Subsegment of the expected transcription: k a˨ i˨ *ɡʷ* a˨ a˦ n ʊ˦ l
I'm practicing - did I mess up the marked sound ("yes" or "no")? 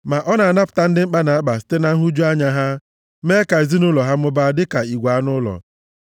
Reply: no